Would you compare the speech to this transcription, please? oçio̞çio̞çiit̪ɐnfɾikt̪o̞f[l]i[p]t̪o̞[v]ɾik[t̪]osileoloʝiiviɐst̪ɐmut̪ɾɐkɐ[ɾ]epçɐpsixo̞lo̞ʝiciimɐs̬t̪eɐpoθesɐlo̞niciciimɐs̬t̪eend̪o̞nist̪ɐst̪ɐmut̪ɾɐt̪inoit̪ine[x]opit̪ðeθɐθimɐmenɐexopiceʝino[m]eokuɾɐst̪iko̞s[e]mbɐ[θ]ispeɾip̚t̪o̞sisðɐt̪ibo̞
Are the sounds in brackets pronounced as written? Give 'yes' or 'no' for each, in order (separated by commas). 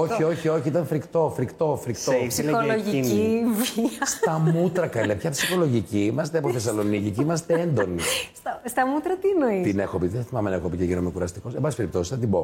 no, no, no, yes, no, yes, yes, yes, no